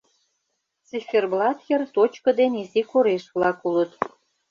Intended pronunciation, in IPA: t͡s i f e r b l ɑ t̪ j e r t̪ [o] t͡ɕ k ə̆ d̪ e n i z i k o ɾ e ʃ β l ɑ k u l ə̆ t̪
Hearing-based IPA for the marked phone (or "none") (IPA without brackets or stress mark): o